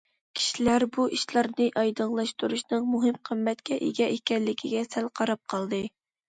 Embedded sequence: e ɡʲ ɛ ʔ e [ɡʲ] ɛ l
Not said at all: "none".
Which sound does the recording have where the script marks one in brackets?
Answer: kʲ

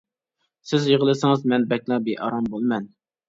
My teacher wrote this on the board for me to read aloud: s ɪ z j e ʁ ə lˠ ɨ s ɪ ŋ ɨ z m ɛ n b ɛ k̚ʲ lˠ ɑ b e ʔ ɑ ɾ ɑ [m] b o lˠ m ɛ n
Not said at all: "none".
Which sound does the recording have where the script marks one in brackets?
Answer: m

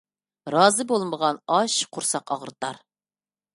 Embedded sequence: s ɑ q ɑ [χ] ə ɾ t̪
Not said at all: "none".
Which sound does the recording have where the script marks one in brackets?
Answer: ʁ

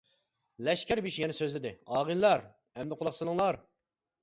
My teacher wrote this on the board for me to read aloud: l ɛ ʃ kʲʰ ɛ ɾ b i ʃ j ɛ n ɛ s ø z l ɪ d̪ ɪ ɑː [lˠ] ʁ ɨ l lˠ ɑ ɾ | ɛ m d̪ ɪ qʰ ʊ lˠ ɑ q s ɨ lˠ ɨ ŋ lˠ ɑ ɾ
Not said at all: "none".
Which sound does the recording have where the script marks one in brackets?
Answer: none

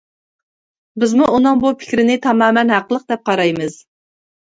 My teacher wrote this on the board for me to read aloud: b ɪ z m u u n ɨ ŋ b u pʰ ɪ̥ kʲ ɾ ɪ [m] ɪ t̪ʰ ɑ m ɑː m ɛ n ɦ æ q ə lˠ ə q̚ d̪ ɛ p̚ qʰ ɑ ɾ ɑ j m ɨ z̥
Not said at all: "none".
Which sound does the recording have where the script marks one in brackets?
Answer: n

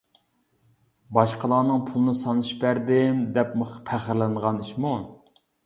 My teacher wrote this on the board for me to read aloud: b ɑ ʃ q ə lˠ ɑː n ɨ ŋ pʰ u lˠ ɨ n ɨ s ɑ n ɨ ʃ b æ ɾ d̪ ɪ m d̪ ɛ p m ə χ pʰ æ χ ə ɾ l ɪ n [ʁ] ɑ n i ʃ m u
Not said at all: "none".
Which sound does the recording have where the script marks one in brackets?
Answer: ʁ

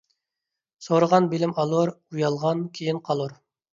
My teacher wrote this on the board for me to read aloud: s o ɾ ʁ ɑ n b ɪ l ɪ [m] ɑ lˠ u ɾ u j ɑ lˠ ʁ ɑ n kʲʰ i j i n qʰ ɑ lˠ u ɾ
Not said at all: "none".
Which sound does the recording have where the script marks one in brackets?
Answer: m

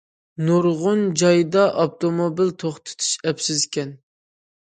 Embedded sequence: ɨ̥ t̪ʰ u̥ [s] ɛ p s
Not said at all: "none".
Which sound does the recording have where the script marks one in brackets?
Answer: ʃ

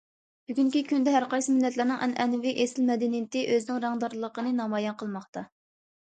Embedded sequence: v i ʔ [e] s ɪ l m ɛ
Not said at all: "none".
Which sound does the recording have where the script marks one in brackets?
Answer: e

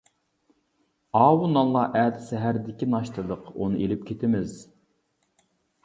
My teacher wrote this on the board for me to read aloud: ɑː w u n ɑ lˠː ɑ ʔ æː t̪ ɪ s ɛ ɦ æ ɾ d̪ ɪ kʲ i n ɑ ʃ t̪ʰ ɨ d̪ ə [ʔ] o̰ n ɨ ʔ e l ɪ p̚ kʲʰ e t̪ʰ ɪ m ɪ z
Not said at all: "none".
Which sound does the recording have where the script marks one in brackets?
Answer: q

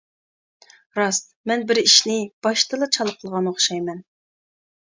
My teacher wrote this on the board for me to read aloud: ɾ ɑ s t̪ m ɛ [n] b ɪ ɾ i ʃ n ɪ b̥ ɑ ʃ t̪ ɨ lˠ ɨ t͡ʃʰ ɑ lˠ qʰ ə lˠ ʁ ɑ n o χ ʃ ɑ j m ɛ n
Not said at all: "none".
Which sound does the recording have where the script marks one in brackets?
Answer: n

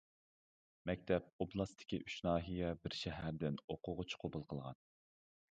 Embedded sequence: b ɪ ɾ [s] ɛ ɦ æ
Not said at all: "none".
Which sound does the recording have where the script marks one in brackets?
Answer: ʃ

